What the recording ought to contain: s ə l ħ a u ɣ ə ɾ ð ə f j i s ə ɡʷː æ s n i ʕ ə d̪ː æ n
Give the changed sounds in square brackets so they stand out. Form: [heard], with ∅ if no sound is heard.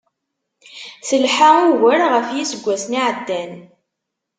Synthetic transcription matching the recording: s ə l ħ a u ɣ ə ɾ [ʁ] ə f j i s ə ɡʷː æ s n i ʕ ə d̪ː æ n